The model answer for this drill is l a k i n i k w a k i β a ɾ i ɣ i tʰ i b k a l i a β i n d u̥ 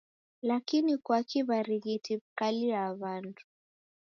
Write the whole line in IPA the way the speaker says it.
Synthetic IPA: l a k i n i k w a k i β a ɾ i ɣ i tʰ i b k a l i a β a n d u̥